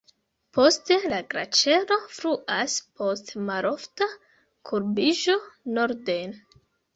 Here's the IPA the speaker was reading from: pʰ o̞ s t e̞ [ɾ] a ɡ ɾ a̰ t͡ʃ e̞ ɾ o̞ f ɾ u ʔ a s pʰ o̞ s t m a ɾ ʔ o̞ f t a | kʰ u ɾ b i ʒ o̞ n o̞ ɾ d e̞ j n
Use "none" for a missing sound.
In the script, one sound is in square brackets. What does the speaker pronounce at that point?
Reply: l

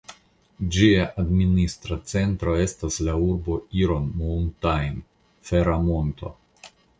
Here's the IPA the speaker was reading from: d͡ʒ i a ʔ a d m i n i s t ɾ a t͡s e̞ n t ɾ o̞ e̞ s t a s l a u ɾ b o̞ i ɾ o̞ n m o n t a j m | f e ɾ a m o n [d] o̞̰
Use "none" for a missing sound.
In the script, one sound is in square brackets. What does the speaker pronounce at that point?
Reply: t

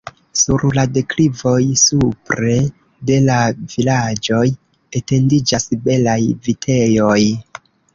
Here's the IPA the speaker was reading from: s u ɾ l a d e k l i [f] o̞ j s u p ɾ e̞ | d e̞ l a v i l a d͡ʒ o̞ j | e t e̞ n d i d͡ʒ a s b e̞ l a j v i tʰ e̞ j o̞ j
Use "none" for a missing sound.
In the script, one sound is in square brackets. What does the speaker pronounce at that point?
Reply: v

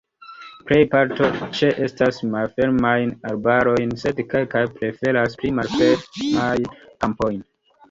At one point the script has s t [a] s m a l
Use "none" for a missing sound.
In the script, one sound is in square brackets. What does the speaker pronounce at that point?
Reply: a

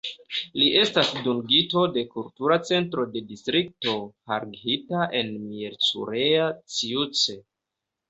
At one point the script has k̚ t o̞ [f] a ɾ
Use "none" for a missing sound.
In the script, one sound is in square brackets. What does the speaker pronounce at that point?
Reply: h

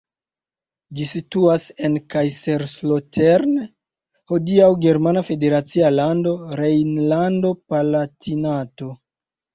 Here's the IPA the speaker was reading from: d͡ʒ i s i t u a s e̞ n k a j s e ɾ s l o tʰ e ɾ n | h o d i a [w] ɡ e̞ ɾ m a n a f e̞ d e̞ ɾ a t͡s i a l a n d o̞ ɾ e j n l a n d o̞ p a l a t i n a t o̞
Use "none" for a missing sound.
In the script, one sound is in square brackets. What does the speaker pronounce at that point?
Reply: w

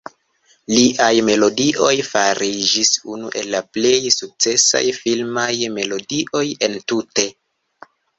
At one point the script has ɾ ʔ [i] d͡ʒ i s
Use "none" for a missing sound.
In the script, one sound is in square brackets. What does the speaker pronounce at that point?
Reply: i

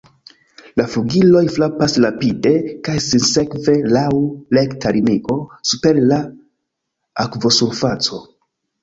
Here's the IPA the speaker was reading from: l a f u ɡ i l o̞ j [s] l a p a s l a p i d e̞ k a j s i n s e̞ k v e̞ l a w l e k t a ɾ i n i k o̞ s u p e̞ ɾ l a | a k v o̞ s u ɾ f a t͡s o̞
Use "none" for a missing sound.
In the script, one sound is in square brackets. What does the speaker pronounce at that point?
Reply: f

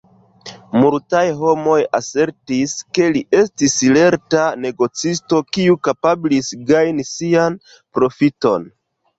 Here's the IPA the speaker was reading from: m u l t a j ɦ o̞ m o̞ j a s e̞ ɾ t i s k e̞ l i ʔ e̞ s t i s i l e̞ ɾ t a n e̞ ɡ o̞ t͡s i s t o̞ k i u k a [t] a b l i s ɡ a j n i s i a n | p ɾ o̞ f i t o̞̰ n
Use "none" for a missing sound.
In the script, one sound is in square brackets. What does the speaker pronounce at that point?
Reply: p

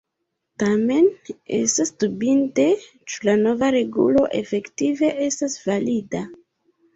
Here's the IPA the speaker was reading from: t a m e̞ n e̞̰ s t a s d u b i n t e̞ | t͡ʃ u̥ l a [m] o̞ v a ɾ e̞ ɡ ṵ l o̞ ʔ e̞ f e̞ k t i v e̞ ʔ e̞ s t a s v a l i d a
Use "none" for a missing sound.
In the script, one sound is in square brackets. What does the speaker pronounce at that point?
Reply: n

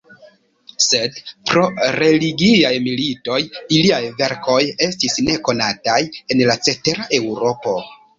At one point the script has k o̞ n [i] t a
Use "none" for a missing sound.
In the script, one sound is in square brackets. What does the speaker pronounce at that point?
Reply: a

